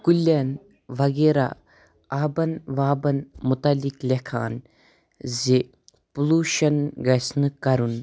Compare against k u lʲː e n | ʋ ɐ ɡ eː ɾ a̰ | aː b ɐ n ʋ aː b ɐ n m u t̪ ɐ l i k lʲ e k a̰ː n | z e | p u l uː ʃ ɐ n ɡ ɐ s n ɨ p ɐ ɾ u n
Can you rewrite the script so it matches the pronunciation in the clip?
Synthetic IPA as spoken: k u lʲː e n | ʋ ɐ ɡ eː ɾ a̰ | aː b ɐ n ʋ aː b ɐ n m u t̪ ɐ l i k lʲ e kʰ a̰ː n | z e | p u l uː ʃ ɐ n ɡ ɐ s n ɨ k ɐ ɾ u n